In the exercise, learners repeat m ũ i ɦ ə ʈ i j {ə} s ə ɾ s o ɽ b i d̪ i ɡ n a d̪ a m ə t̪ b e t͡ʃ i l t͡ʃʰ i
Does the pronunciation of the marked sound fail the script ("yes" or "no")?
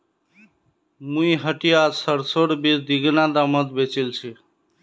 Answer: yes